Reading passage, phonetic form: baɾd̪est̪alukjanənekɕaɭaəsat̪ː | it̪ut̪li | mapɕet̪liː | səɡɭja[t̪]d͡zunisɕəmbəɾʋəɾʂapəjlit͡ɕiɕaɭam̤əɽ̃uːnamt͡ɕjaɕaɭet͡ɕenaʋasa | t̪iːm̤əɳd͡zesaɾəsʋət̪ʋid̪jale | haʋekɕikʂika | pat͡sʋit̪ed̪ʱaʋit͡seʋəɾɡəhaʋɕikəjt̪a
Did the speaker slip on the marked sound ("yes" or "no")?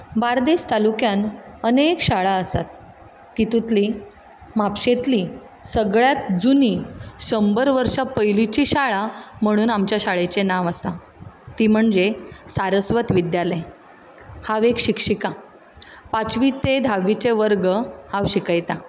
no